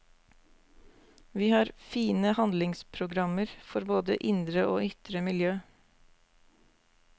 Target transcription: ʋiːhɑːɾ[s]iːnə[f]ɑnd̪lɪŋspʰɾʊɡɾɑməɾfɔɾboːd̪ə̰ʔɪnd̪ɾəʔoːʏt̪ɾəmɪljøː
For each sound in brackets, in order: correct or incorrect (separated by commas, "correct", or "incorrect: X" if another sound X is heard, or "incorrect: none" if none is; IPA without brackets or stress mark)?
incorrect: f, incorrect: h